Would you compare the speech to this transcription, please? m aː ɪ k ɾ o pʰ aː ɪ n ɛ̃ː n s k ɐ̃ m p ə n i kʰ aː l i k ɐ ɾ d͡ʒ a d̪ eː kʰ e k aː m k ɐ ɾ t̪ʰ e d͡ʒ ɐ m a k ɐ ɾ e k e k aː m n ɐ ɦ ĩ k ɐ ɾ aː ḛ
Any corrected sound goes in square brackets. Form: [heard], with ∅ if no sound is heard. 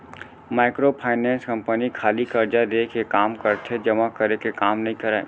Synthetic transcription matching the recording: m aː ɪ k ɾ o pʰ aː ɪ n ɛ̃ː n s k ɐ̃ m p ə n i kʰ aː l i k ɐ ɾ d͡ʒ a d̪ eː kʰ e k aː m k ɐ ɾ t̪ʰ e d͡ʒ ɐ m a k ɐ ɾ e k e k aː m n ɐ ɦ ĩ k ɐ ɾ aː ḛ